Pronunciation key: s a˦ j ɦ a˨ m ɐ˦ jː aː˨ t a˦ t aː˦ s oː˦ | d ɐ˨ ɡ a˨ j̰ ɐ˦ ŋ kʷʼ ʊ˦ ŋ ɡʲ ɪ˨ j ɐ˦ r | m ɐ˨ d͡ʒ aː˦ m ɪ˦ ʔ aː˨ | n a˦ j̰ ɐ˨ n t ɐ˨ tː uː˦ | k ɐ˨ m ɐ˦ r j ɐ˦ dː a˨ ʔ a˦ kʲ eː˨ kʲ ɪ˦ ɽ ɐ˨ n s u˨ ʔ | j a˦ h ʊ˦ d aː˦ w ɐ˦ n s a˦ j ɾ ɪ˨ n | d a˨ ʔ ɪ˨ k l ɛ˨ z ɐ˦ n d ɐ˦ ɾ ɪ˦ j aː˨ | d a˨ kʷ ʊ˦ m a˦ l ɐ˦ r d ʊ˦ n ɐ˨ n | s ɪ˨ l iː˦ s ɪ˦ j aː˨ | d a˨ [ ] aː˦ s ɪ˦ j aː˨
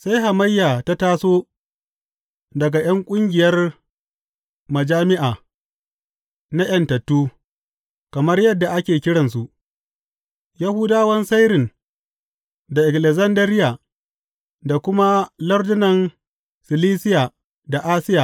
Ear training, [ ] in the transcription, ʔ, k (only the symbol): ʔ